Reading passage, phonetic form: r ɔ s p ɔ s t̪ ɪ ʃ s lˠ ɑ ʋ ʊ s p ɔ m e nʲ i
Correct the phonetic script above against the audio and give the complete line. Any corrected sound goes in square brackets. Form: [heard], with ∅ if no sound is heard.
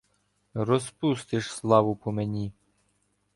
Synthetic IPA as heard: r ɔ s p [u] s t̪ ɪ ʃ s lˠ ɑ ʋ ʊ [∅] p ɔ m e nʲ i

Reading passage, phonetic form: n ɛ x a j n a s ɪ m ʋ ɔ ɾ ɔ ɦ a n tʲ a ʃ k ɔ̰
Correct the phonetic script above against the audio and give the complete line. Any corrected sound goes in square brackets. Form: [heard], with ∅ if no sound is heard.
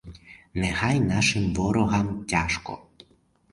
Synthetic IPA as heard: n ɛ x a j n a [ʃ] ɪ m ʋ ɔ ɾ ɔ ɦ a [m] tʲ a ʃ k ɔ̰

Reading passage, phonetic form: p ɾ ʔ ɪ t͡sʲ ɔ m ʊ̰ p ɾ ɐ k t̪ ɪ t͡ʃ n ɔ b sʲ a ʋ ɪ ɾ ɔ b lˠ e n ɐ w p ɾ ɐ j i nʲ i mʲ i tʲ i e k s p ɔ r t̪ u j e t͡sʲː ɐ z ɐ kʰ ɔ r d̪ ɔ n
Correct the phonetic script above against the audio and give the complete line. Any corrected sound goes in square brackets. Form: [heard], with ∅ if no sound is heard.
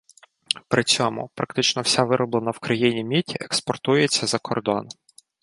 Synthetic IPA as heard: p ɾ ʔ ɪ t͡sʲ ɔ m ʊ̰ p ɾ ɐ k t̪ ɪ t͡ʃ n ɔ [w] sʲ a ʋ ɪ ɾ ɔ b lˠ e n ɐ w [k] ɾ ɐ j i nʲ i mʲ i tʲ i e k s p ɔ r t̪ u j e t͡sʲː ɐ z ɐ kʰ ɔ r d̪ ɔ n

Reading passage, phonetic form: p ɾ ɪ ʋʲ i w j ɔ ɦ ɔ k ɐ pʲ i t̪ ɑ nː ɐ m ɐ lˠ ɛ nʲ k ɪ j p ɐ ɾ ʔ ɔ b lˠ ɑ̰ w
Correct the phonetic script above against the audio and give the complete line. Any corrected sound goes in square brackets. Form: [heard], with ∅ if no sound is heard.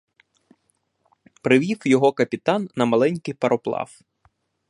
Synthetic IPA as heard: p ɾ ɪ ʋʲ i w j ɔ ɦ ɔ k ɐ pʲ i t̪ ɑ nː ɐ m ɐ lˠ ɛ nʲ k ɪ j p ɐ ɾ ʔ ɔ [p] lˠ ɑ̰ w

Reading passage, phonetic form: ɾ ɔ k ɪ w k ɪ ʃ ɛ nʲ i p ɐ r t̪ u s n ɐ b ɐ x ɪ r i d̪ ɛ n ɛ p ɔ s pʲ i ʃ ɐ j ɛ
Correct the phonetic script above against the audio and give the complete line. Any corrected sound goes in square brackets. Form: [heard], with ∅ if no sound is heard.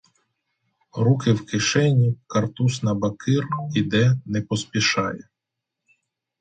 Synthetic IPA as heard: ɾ [u] k ɪ w k ɪ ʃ ɛ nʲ i [k] ɐ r t̪ u s n ɐ b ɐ [k] ɪ r i d̪ ɛ n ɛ p ɔ s pʲ i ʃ [ɑ] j ɛ

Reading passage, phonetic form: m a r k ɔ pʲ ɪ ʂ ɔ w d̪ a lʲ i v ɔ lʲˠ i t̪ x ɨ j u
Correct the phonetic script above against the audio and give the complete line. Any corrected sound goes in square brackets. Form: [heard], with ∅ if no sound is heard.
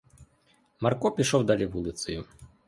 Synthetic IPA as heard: m a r k ɔ pʲ [i] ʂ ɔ w d̪ a lʲ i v [u] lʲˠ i t̪ [s] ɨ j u

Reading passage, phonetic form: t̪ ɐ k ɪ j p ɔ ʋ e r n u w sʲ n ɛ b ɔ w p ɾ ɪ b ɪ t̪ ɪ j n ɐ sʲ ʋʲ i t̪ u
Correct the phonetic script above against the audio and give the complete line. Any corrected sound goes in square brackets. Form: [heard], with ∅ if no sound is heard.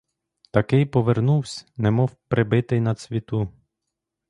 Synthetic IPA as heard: t̪ ɐ k ɪ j p ɔ ʋ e r n u w sʲ n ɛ [m] ɔ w p ɾ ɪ b ɪ t̪ ɪ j n ɐ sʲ ʋʲ i t̪ u

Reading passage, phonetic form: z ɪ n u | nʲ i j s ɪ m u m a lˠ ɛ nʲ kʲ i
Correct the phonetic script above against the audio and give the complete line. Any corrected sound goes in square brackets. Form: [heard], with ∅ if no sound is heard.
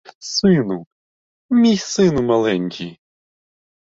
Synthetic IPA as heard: [s] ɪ n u | [mʲ] i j s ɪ [n] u m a lˠ ɛ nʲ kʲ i

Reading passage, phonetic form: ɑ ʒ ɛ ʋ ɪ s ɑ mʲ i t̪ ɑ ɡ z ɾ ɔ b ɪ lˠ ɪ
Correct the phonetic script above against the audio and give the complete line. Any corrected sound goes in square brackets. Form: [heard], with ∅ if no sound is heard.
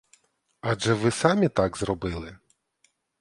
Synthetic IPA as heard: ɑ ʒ ɛ ʋ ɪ s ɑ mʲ i t̪ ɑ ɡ z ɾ ɔ b ɪ lˠ ɪ

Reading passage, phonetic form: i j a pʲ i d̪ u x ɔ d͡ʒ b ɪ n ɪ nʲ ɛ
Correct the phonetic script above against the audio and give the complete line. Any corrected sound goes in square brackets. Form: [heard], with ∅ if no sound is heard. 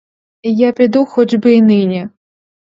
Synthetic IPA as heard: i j a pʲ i d̪ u x ɔ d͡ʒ b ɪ n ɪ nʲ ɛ

